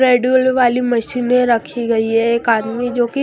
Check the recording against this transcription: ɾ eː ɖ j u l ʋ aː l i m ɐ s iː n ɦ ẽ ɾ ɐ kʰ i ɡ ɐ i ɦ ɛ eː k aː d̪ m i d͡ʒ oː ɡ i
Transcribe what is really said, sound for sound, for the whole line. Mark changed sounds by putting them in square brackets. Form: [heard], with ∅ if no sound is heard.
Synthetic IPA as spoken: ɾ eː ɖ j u l ʋ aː l i m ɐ [ʃ] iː n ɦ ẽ ɾ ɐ kʰ i ɡ ɐ i ɦ ɛ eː k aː d̪ m i d͡ʒ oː [k] i